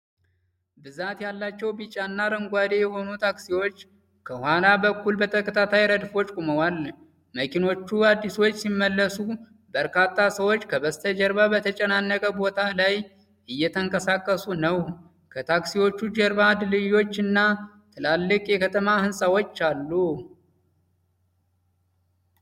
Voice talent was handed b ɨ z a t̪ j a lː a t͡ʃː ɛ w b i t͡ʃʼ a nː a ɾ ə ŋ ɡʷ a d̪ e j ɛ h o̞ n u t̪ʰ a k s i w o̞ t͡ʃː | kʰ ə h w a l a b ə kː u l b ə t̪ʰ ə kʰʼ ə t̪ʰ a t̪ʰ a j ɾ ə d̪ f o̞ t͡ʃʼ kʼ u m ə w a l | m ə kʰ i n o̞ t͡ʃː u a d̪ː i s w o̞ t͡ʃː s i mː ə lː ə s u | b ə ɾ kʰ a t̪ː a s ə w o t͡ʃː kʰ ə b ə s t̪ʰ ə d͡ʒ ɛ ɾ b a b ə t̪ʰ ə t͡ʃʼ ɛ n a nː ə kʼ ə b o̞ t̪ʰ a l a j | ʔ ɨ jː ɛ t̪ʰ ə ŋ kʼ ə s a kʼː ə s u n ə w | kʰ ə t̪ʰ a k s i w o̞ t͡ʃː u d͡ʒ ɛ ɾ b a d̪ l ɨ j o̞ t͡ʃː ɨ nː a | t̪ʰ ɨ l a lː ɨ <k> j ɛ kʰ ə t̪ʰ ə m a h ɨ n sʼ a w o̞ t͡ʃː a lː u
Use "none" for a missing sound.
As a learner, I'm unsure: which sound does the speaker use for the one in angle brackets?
kʼ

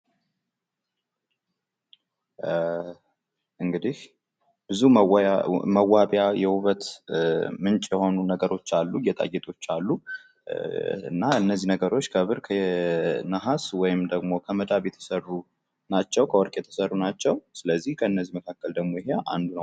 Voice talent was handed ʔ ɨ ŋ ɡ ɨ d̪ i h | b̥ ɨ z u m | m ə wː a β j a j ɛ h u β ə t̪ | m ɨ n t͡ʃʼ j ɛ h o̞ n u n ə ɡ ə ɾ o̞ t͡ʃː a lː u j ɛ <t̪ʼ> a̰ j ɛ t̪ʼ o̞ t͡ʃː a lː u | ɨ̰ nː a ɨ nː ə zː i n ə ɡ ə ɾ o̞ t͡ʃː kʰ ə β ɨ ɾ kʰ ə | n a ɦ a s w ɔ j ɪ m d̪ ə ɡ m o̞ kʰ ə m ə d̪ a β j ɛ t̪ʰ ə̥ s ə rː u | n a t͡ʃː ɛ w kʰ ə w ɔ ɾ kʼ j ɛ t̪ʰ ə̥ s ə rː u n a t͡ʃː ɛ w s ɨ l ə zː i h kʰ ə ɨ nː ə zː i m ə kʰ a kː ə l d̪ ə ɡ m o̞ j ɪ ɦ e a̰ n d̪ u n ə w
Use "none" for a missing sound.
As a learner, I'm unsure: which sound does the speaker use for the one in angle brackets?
t̪ʼ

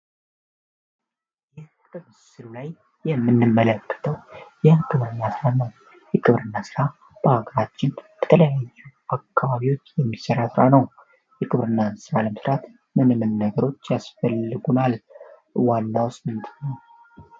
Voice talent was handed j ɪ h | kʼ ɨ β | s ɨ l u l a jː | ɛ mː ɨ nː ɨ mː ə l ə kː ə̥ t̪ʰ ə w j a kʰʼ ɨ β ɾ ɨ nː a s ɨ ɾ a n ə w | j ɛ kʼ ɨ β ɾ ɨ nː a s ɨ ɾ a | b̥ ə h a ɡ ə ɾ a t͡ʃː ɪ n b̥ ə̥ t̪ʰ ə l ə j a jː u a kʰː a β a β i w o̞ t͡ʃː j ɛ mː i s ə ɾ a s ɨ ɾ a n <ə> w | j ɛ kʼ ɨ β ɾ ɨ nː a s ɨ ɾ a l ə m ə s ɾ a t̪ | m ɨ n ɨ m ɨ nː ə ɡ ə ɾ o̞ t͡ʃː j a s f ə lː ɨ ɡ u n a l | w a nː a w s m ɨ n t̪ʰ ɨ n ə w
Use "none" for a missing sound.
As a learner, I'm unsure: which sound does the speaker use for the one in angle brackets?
ə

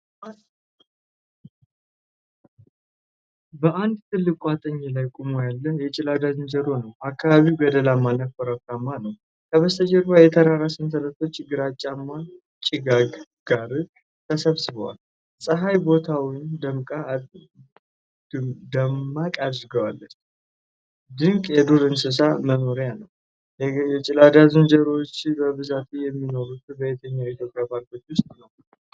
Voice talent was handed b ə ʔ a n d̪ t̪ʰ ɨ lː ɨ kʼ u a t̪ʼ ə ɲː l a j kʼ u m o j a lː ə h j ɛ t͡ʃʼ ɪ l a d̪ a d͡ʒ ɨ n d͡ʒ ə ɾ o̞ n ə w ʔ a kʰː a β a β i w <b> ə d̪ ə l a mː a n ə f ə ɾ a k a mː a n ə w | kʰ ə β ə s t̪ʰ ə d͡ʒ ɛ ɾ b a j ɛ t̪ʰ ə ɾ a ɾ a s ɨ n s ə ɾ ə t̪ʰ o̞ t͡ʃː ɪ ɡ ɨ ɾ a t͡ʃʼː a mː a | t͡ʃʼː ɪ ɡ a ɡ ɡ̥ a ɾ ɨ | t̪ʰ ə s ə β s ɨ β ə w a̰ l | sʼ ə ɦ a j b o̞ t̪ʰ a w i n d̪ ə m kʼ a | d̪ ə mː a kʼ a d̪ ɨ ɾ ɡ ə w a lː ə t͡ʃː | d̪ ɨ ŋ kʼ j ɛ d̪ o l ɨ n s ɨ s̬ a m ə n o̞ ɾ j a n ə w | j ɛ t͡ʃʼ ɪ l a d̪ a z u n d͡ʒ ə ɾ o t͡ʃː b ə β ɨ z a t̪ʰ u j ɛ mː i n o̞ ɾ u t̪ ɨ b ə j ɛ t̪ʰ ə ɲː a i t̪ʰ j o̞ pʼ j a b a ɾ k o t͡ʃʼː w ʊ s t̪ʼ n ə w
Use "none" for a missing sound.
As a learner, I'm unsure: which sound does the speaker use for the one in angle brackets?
ɡ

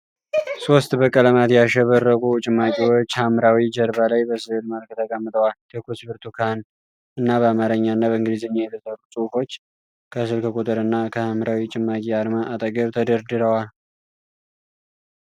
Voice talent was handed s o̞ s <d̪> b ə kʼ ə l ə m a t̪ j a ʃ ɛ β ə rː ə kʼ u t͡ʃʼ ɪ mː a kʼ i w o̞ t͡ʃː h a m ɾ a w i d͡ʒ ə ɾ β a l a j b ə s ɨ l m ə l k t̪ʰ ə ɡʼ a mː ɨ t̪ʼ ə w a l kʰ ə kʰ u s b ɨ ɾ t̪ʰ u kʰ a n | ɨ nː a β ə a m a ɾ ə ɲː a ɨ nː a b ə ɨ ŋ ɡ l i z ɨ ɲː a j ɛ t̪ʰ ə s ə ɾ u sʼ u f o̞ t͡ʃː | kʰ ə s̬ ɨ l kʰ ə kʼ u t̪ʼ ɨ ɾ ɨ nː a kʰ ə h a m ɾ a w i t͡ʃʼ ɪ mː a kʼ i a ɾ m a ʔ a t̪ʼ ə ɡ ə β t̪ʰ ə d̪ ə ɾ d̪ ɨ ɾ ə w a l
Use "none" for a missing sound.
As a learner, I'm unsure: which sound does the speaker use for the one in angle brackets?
t̪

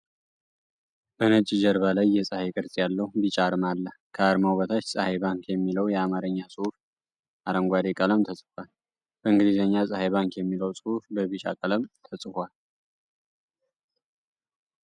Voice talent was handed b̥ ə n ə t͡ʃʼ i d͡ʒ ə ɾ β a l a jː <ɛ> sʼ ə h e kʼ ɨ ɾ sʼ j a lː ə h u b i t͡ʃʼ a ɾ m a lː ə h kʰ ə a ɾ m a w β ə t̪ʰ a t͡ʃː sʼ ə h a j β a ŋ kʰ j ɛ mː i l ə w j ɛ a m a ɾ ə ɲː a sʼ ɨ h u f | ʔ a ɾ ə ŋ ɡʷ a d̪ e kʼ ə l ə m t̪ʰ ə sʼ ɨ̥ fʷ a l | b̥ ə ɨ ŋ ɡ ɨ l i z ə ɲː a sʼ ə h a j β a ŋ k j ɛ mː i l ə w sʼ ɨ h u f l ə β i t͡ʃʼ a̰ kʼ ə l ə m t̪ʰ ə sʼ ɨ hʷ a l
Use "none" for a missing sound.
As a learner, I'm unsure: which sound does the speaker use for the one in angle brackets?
ɛ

